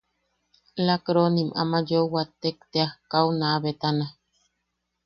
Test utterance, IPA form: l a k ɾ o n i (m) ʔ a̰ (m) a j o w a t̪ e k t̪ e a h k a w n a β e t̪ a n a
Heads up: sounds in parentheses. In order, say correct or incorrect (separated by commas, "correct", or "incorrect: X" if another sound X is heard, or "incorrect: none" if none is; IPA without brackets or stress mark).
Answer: correct, correct